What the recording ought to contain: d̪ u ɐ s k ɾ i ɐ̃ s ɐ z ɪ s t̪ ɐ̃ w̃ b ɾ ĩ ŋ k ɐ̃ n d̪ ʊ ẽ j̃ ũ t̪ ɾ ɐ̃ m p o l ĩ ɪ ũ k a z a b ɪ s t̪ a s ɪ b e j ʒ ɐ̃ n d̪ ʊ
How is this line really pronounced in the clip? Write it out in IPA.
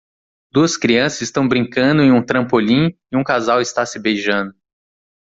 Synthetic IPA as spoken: d̪ u ɐ s k ɾ i ɐ̃ s ɐ z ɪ s t̪ ɐ̃ w̃ b ɾ ĩ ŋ k ɐ̃ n d̪ ʊ ẽ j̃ ũ t̪ ɾ ɐ̃ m p o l ĩ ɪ ũ k a z a w ɪ s t̪ a s ɪ b e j ʒ ɐ̃ n d̪ ʊ